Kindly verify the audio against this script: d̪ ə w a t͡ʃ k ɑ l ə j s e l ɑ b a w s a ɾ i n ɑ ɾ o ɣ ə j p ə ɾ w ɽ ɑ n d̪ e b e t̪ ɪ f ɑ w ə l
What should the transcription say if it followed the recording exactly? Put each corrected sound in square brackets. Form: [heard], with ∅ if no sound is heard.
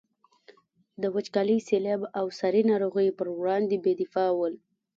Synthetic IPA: d̪ ə w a t͡ʃ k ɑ l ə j s e l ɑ b a w s a ɾ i n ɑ ɾ o ɣ ə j p ə ɾ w ɽ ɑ n d̪ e b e [d̪] ɪ f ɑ w ə l